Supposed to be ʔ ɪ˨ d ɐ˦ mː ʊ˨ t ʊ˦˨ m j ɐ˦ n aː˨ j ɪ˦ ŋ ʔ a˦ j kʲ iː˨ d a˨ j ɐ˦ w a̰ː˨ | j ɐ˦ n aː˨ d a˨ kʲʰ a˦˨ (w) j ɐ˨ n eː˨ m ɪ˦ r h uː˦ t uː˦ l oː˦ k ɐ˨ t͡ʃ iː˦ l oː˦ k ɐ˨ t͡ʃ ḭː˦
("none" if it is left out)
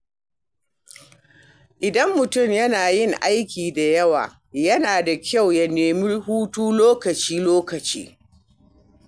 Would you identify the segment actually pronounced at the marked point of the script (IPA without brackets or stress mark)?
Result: w